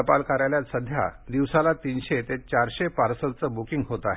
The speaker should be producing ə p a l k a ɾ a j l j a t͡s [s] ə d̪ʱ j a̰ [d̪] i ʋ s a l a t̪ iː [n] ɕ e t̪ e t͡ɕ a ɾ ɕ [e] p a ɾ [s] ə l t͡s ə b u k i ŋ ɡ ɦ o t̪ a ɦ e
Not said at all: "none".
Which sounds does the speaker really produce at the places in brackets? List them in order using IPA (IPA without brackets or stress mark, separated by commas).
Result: s, d̪, n, e, s